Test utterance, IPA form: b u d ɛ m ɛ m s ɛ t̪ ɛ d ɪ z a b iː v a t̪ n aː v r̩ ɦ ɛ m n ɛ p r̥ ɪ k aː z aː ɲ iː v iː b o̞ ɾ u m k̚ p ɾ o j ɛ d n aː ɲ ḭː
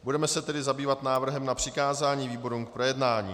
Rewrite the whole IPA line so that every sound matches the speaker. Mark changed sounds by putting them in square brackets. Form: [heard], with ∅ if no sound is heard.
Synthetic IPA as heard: b u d ɛ m ɛ [∅] s ɛ t̪ ɛ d ɪ z a b iː v a t̪ n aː v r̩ ɦ ɛ m n [a] p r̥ ɪ k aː z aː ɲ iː v iː b o̞ ɾ u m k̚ p ɾ o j ɛ d n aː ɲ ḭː

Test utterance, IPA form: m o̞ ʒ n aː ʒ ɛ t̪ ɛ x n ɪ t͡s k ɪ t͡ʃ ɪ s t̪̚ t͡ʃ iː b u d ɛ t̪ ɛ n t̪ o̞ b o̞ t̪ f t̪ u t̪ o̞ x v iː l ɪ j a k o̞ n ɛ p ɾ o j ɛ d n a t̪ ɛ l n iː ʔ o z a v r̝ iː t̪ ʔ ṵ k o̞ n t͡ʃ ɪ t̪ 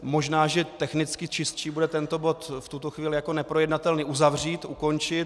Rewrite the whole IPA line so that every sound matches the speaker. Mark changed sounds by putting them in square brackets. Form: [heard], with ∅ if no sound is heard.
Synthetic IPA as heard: m o̞ ʒ n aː ʒ ɛ t̪ ɛ x n ɪ t͡s k ɪ t͡ʃ ɪ s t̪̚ t͡ʃ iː b u d ɛ t̪ ɛ n t̪ o̞ b o̞ t̪ f t̪ u t̪ o̞ x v iː l ɪ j a k o̞ n ɛ p ɾ o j ɛ d n a t̪ ɛ l n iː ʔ [u] z a v r̝ iː t̪ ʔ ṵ k o̞ n t͡ʃ ɪ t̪

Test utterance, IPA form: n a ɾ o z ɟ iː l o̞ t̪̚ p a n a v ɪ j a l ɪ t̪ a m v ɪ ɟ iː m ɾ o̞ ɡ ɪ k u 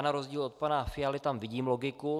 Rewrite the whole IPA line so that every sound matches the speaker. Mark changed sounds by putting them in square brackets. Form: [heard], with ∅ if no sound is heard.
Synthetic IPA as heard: n a ɾ o z ɟ iː l o̞ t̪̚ p a n a [f] ɪ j a l ɪ t̪ a m v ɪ ɟ iː m [l] o̞ ɡ ɪ k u

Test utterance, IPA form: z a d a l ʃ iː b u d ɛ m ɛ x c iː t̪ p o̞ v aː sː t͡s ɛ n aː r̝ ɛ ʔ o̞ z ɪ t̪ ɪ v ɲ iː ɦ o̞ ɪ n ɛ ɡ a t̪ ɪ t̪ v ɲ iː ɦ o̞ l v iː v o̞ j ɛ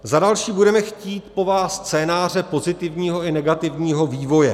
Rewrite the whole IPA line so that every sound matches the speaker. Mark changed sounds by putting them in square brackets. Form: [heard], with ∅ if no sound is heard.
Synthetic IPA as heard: z a d a l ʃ iː b u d ɛ m ɛ x c iː t̪ p o̞ v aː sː t͡s [ɛː] n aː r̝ ɛ [p] o̞ z ɪ t̪ ɪ v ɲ iː ɦ o̞ ɪ n ɛ ɡ a t̪ ɪ [∅] v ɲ iː ɦ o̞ [∅] v iː v o̞ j ɛ

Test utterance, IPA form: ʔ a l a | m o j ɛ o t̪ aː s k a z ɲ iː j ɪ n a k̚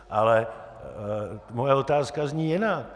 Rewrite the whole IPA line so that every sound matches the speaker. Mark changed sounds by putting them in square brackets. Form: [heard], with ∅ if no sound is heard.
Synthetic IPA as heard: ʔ a l [ɛ] | m o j ɛ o t̪ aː s k a z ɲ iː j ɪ n a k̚

